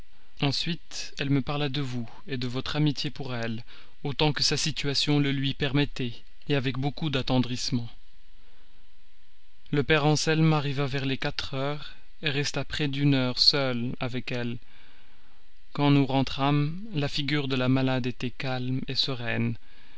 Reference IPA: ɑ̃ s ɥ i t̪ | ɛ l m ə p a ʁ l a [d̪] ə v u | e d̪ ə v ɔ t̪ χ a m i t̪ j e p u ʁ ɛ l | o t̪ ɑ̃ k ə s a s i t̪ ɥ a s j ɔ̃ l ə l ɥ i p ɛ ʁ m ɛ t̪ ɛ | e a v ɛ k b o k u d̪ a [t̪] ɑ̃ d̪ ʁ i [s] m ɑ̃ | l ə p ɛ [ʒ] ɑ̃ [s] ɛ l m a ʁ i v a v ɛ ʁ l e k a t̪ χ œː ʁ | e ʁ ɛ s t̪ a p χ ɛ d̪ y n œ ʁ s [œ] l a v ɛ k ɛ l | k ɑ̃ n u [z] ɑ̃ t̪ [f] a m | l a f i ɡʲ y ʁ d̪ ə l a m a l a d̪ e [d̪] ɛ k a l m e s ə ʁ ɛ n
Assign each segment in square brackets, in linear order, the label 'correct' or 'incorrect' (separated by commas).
correct, correct, correct, incorrect, correct, correct, incorrect, incorrect, incorrect